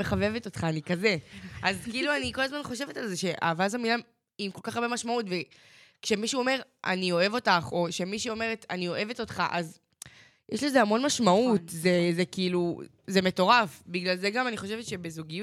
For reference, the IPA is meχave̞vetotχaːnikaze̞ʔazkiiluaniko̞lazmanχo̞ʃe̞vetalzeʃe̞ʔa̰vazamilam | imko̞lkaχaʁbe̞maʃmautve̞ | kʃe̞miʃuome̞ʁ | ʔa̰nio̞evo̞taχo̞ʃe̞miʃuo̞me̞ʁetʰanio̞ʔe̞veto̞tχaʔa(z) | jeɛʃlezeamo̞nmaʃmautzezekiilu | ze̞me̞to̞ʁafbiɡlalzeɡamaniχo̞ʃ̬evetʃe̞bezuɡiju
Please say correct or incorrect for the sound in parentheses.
correct